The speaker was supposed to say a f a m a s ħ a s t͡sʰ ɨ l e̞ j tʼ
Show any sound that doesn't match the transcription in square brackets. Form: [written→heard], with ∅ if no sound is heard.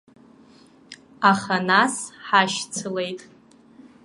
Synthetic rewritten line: a [f→χ] a [m→n] a s ħ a [s→ʃ] t͡sʰ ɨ l e̞ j tʼ